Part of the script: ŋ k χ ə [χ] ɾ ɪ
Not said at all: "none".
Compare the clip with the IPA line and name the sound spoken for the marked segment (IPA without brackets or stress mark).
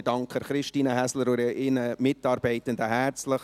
χ